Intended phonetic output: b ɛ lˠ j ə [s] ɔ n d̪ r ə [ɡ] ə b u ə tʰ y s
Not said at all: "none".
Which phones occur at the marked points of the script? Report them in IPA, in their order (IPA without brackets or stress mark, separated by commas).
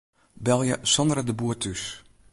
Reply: s, d